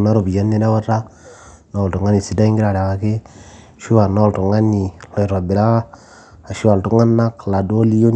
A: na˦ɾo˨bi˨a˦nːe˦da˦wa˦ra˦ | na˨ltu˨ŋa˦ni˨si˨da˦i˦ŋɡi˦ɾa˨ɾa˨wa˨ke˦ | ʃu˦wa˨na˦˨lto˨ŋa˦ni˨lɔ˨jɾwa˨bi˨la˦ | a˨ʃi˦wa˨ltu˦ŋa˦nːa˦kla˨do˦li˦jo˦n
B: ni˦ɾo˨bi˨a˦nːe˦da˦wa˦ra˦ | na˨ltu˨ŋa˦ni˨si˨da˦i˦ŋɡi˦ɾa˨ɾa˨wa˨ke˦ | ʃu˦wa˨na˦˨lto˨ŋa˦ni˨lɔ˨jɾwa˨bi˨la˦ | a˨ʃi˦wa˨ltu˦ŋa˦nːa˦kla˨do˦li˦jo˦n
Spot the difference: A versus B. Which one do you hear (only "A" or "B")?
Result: A